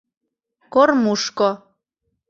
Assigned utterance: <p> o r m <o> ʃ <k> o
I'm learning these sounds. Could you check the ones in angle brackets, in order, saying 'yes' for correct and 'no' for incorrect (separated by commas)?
no, no, yes